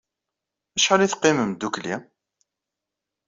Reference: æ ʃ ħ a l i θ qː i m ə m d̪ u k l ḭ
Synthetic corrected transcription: æ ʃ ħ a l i θ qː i m ə m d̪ u k l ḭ